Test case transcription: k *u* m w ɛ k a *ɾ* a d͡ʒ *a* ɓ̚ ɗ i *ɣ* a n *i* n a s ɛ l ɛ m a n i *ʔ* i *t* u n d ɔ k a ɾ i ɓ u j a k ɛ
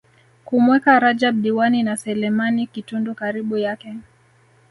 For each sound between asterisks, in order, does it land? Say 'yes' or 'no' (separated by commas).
yes, yes, yes, no, yes, no, yes